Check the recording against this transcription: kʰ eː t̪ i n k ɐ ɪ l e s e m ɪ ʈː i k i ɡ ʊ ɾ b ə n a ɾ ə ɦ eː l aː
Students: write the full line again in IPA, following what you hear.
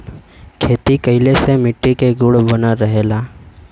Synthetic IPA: kʰ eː t̪ i k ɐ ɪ l e s e m ɪ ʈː i k e ɡ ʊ ɽ b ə n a ɾ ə ɦ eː l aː

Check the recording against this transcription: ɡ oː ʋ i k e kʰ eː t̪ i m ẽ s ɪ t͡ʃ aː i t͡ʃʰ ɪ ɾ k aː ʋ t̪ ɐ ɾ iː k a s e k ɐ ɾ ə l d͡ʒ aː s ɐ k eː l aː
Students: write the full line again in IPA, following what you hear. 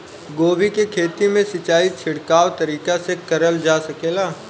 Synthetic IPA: ɡ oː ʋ i k e kʰ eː t̪ i m ẽ s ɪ t͡ʃ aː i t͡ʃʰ ɪ ɽ k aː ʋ t̪ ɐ ɾ iː k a s e k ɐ ɾ ə l d͡ʒ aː s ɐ k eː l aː

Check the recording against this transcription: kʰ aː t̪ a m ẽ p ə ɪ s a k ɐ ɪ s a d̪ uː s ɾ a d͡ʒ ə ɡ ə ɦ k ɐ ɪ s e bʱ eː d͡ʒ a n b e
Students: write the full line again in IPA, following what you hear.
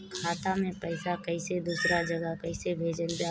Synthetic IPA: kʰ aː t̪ a m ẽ p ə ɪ s a k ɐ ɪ s e d̪ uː s ɾ a d͡ʒ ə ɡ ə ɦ k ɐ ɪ s e bʱ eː d͡ʒ ə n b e

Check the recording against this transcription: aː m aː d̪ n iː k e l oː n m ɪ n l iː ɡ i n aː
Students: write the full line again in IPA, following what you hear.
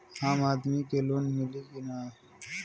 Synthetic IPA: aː m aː d̪ m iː k e l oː n m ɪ l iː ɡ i n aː

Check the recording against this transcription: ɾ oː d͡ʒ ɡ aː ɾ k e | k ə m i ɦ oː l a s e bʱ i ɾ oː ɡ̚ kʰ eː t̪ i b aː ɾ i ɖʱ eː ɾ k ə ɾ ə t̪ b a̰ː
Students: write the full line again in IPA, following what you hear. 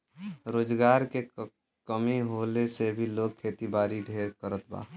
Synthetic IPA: ɾ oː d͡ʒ ɡ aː ɾ k e | k ə m i ɦ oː l e s e bʱ i l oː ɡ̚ kʰ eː t̪ i b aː ɾ i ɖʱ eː ɾ k ə ɾ ə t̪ b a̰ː

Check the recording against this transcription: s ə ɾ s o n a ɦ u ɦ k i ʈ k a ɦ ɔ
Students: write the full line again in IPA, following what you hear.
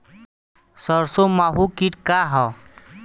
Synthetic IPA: s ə ɾ s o m a ɦ u k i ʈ k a ɦ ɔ

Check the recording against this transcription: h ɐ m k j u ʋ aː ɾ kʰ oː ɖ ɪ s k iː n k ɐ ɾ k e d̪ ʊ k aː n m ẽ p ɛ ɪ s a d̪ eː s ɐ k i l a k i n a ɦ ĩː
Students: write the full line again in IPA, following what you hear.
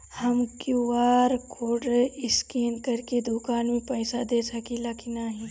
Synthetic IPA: h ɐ m k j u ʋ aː ɾ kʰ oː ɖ ɪ s k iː n k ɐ ɾ k e d̪ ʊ k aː n m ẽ p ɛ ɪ s a d̪ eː s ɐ k i l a k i n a ɦ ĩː

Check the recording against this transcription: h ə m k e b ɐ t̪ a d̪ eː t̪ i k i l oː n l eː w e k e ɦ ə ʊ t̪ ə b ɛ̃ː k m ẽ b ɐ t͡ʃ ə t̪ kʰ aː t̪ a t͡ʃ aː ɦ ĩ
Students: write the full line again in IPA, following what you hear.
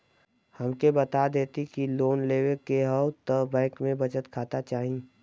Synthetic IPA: h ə m k e b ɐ t̪ a d̪ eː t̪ i k i l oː n l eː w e k e ɦ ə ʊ t̪ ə b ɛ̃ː k m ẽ b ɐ t͡ʃ ə t̪ kʰ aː t̪ a t͡ʃ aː ɦ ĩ

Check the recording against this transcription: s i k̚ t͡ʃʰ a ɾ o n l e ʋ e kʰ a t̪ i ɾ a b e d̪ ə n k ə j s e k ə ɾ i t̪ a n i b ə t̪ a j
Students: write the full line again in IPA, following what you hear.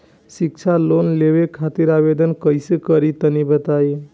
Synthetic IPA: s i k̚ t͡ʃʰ a l o n l e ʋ e kʰ a t̪ i ɾ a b e d̪ ə n k ə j s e k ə ɾ i t̪ ə n i b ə t̪ a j

